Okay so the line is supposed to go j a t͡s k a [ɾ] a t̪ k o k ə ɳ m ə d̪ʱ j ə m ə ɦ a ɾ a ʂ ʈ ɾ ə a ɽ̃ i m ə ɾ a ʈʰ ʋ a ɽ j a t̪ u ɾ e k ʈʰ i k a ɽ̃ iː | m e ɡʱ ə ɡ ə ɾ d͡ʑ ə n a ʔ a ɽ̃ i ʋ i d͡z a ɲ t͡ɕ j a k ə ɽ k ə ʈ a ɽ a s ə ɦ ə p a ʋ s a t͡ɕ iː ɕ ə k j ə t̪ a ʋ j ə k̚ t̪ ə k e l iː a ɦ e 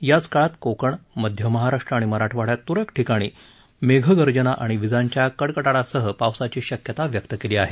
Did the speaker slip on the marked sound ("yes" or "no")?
yes